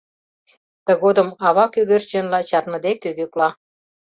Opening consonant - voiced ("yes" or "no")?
no